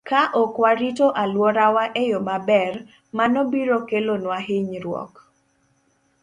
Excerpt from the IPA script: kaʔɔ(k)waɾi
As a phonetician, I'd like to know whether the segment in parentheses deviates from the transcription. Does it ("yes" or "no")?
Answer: no